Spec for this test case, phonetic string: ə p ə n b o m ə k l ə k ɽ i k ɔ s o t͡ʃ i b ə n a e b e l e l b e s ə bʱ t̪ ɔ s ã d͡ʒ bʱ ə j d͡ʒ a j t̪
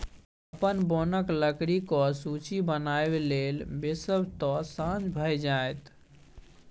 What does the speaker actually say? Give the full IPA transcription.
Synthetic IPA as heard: ə p ə n b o n ə k l ə k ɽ i k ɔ s u t͡ʃ i b ə n a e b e l e l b e s ə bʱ t̪ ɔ s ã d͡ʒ bʱ ə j d͡ʒ a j t̪